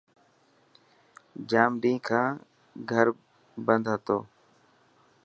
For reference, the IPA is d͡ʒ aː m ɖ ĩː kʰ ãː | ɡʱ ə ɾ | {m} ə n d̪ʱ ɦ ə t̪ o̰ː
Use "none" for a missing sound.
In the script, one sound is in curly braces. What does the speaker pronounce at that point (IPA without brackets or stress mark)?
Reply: b